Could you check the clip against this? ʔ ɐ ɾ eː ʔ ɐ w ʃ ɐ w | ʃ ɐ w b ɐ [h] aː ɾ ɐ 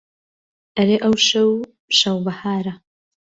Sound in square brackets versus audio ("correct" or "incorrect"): correct